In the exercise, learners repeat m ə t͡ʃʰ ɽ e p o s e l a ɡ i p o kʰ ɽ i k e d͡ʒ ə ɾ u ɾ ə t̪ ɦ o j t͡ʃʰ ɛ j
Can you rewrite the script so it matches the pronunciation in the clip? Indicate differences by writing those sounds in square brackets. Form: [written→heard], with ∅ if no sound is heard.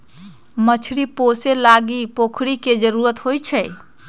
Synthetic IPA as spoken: m ə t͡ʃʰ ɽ [e→i] p o s e l a ɡ i p o kʰ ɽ i k e d͡ʒ ə ɾ u ɾ ə t̪ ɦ o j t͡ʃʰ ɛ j